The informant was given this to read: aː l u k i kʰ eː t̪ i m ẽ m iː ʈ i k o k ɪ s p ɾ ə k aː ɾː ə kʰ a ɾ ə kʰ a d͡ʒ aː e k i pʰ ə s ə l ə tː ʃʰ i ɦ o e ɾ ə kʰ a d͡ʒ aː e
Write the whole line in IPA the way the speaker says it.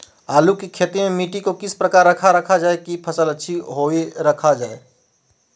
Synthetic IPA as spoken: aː l u k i kʰ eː t̪ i m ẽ m iː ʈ i k o k ɪ s p ɾ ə k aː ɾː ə kʰ a ɾ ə kʰ a d͡ʒ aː e k i pʰ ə s ə l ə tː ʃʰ i ɦ o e ɾ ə kʰ a d͡ʒ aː e